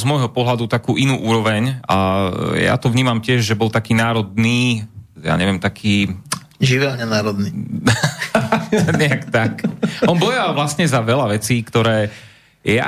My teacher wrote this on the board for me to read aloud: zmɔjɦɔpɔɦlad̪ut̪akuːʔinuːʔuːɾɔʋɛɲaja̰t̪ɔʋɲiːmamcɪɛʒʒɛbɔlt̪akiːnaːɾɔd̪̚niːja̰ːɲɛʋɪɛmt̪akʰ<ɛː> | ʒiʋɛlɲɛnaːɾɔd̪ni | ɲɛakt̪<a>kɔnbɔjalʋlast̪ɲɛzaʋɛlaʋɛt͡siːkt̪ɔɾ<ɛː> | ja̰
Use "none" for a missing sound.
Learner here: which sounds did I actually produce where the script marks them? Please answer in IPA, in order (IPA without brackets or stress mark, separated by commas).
iː, a, ɛː